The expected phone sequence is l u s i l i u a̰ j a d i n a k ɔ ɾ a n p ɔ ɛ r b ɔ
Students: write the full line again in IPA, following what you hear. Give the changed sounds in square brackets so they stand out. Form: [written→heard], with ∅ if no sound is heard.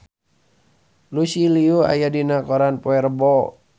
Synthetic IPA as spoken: l u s i l i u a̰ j a d i n a k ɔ ɾ a n p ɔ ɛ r b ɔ